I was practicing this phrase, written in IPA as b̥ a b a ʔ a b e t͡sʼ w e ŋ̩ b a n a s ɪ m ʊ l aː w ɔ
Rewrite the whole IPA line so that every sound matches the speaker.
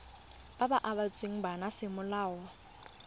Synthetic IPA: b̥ a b a ʔ a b a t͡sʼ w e ŋ̩ b a n a s ɪ m ʊ l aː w ɔ